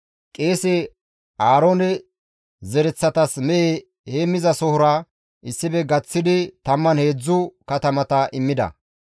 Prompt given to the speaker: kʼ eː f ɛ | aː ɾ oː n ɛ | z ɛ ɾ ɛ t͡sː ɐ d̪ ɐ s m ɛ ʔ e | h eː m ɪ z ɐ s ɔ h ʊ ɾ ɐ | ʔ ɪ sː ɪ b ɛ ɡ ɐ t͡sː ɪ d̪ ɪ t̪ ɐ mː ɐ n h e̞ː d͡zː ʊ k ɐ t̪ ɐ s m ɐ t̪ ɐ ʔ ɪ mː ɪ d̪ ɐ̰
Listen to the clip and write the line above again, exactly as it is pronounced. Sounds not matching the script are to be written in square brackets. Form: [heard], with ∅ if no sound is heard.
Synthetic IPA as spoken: kʼ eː [s] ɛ | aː ɾ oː n ɛ | z ɛ ɾ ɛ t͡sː ɐ [t̪] ɐ s m ɛ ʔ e | h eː m ɪ z ɐ s ɔ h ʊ ɾ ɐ | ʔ ɪ sː ɪ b ɛ ɡ ɐ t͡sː ɪ d̪ ɪ t̪ ɐ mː ɐ n h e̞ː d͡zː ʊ k ɐ t̪ ɐ [∅] m ɐ t̪ ɐ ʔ ɪ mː ɪ d̪ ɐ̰